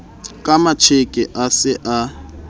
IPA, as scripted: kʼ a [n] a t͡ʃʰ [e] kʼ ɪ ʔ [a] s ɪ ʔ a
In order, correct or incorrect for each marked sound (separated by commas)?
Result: incorrect, correct, correct